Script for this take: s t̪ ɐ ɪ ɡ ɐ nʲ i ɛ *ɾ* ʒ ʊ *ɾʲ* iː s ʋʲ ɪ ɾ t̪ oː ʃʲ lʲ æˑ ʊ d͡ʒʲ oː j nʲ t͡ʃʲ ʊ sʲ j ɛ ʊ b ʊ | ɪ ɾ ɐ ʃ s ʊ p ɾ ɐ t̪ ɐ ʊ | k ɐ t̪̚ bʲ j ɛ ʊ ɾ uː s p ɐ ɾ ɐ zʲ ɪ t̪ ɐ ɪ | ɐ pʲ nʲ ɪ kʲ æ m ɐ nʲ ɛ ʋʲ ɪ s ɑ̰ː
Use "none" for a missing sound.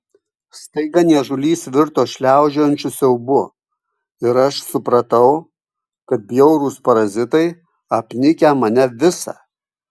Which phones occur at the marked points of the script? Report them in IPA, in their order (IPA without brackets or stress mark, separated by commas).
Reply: none, lʲ